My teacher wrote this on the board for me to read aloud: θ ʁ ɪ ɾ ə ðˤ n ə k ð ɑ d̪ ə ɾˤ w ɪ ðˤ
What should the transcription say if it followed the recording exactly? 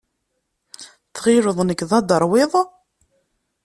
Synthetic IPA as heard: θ ʁ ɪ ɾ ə ðˤ n ə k ð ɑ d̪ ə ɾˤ w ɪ ðˤ